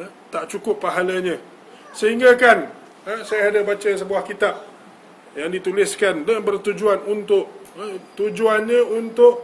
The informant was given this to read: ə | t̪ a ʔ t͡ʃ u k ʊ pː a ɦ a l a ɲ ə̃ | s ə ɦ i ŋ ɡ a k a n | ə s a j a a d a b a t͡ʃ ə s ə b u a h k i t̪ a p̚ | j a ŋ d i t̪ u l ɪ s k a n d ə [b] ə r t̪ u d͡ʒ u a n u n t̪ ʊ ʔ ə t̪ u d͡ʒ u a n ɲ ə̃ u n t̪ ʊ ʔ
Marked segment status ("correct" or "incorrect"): correct